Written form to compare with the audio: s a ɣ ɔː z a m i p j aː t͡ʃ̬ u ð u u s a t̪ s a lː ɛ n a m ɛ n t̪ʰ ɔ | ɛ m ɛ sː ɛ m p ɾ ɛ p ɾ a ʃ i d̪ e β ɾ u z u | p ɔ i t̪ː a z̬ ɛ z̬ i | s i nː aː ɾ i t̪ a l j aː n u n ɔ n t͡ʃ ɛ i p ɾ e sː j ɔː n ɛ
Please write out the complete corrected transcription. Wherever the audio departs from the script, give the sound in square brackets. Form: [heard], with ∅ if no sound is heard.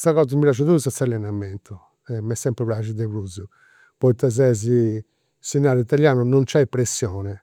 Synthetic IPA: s a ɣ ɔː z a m i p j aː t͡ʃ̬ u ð u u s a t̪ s a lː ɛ n a m ɛ n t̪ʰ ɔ | ɛ m ɛ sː ɛ m p ɾ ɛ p ɾ a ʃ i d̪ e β ɾ u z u | p ɔ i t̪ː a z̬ ɛ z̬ i | s i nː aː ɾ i t̪ a l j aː n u n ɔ n t͡ʃ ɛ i p ɾ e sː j ɔː n ɛ